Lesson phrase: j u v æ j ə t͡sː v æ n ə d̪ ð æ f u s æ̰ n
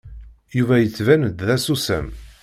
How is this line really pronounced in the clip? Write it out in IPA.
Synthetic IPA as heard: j u v æ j ə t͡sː v æ n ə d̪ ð æ s u s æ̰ m